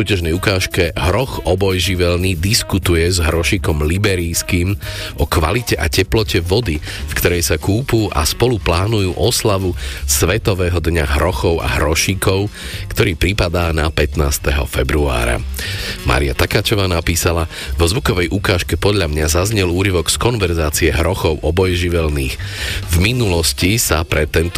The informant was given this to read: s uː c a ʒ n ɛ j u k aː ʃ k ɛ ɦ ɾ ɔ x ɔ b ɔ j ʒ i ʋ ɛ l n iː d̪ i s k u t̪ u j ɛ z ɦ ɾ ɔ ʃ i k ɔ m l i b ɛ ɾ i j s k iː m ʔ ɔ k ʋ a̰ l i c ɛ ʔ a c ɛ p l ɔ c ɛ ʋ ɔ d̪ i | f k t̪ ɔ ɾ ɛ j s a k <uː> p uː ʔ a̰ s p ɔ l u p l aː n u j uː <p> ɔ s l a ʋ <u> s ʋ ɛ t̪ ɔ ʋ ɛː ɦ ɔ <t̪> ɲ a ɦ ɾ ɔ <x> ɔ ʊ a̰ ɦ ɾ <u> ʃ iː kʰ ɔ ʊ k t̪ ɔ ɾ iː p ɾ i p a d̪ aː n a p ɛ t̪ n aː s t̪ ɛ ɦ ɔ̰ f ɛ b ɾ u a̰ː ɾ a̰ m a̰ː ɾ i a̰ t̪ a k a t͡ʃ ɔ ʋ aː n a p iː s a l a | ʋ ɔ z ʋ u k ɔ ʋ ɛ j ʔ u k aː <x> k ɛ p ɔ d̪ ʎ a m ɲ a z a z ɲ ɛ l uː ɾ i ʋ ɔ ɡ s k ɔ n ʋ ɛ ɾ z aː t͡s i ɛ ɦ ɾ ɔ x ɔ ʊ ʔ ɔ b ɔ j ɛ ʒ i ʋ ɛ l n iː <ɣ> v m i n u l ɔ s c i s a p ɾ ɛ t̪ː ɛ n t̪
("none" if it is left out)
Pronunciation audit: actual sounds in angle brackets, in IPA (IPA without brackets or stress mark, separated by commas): uː, ʔ, u, d̪, x, ɔ, ʃ, x